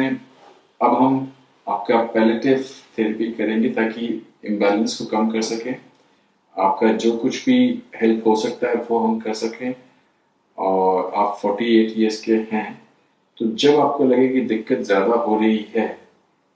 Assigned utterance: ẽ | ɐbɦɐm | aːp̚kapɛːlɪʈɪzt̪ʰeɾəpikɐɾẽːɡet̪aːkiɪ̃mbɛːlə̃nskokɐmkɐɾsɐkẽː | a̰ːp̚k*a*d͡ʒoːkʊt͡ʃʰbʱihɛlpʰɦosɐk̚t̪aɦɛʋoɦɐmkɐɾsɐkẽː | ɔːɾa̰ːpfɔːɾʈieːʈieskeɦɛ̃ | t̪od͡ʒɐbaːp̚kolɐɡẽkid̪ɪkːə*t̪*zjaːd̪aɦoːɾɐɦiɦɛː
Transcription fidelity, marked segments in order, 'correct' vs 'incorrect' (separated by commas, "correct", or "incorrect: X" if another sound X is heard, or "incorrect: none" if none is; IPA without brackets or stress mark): correct, correct